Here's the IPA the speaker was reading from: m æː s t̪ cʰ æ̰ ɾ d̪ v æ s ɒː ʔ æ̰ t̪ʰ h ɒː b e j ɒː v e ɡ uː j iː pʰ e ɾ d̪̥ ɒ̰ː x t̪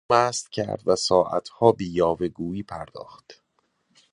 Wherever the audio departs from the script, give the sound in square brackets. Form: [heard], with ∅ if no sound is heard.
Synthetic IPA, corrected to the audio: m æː s t̪ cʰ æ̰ ɾ d̪ v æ s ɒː ʔ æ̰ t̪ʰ h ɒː b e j ɒː v e ɡ uː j iː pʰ [æ] ɾ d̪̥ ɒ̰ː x t̪

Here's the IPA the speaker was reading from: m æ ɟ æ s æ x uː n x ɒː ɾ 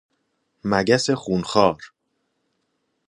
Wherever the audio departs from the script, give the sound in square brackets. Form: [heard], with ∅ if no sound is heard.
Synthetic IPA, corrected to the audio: m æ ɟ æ s [e] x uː n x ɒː ɾ

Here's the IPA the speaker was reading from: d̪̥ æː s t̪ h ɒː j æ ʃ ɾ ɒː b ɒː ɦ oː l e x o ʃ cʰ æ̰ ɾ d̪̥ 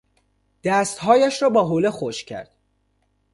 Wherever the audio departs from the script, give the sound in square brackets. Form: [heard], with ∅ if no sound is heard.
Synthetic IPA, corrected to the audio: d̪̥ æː s t̪ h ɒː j æ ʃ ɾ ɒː b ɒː ɦ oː l e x o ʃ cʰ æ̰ ɾ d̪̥

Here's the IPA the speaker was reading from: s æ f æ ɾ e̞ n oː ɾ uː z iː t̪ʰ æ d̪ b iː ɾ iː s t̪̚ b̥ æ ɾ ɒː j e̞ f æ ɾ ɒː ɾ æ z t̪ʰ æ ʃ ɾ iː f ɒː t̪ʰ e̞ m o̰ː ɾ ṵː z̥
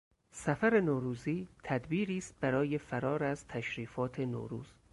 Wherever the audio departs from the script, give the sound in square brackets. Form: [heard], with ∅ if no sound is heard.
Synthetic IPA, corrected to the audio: s æ f æ ɾ e̞ n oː ɾ uː z iː t̪ʰ æ d̪ b iː ɾ iː s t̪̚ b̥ æ ɾ ɒː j e̞ f æ ɾ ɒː ɾ æ z t̪ʰ æ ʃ ɾ iː f ɒː t̪ʰ e̞ [n] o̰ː ɾ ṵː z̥

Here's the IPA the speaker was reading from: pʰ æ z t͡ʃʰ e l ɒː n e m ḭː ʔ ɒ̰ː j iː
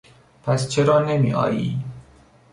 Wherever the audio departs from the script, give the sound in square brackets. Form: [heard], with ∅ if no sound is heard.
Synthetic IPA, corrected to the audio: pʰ æ [s] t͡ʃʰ e [ɾ] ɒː n e m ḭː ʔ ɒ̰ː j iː

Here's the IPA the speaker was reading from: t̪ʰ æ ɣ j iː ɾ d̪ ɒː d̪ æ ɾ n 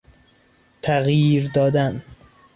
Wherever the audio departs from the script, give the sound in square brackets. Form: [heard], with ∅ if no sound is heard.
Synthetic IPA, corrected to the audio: t̪ʰ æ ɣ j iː ɾ d̪ ɒː d̪ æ [∅] n

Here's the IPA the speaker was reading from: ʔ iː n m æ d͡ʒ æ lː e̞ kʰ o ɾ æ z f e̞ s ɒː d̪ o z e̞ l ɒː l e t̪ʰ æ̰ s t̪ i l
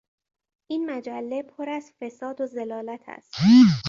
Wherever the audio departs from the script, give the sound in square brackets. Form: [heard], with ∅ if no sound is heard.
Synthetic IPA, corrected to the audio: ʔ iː n m æ d͡ʒ æ lː e̞ [pʰ] o ɾ æ z f e̞ s ɒː d̪ o z e̞ l ɒː l [æ] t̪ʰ æ̰ s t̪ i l

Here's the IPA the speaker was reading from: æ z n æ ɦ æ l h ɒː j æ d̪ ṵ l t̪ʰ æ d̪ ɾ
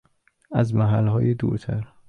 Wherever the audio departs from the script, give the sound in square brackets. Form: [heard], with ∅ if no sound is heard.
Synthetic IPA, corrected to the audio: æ z [m] æ ɦ æ l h ɒː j [e] d̪ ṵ [ɾ] t̪ʰ æ [∅] ɾ

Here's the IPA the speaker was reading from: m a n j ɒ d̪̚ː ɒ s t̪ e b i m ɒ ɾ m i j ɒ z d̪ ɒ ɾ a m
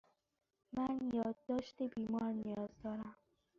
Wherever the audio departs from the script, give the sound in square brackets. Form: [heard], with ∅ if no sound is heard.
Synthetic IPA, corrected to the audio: m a n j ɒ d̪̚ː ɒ [ʃ] t̪ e b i m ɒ ɾ [n] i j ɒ z d̪ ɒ ɾ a m

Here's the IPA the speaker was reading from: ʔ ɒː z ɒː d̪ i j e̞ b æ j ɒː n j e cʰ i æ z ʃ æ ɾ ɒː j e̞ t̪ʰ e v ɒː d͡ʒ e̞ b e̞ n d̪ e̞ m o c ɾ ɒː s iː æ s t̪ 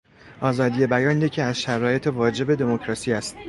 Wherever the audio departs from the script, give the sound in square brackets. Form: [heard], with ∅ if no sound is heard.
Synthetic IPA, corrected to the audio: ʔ ɒː z ɒː d̪ i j e̞ b æ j ɒː n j e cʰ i æ z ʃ æ ɾ ɒː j e̞ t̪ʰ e v ɒː d͡ʒ e̞ b e̞ [∅] d̪ e̞ m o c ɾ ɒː s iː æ s t̪

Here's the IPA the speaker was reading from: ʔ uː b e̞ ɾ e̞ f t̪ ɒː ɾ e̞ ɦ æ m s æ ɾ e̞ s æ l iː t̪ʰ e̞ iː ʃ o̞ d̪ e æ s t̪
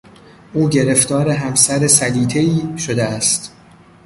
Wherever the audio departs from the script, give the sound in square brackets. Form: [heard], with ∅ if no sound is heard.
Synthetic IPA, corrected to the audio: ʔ uː [ɟ] e̞ ɾ e̞ f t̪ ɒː ɾ e̞ ɦ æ m s æ ɾ e̞ s æ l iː t̪ʰ e̞ iː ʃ o̞ d̪ e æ s t̪

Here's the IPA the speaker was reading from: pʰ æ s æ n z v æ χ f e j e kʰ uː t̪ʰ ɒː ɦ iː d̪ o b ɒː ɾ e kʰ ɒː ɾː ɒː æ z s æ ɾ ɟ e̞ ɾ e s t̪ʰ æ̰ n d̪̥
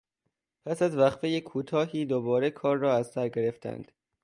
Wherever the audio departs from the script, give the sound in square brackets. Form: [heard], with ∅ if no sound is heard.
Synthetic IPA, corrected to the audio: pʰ æ s æ [∅] z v æ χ f e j e kʰ uː t̪ʰ ɒː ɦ iː d̪ o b ɒː ɾ e kʰ ɒː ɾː ɒː æ z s æ ɾ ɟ e̞ ɾ e [f] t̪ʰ æ̰ n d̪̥

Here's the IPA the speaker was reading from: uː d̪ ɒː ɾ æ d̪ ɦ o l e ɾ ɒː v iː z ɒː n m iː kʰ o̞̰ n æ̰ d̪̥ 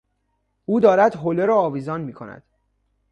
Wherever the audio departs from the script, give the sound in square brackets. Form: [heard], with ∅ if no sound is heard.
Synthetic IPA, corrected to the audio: uː d̪ ɒː ɾ æ d̪ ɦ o l e ɾ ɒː v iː z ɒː n m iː kʰ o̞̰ n æ̰ d̪̥

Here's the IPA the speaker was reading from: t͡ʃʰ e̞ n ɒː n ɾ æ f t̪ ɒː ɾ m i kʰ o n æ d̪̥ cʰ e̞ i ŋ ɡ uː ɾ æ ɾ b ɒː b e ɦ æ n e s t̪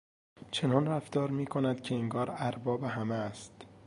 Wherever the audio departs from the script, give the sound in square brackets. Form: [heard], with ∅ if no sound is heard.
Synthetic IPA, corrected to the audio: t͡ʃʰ e̞ n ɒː n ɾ æ f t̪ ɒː ɾ m [iː] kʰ o n æ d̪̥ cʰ e̞ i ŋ ɡ [ɒː] ɾ æ ɾ b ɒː b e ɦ æ [m] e s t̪

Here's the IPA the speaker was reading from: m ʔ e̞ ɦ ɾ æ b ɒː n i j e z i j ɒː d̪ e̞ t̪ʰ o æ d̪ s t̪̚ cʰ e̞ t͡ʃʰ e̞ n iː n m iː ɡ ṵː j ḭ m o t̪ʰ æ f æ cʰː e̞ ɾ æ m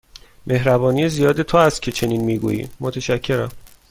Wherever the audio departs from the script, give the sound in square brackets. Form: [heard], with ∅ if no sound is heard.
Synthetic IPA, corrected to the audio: m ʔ e̞ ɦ ɾ æ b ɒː n i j e z i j ɒː d̪ e̞ t̪ʰ o æ [∅] s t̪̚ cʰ e̞ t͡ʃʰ e̞ n iː n m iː ɡ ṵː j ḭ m o t̪ʰ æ [ʃ] æ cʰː e̞ ɾ æ m

